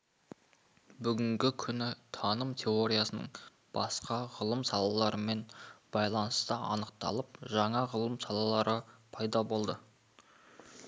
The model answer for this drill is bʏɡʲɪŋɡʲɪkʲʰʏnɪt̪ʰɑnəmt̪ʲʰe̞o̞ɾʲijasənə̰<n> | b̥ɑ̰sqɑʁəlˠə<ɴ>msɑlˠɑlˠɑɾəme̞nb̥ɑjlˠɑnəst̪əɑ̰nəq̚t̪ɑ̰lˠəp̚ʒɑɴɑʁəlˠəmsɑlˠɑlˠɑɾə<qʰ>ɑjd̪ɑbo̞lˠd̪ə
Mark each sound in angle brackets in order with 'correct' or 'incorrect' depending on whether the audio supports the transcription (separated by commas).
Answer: incorrect, incorrect, incorrect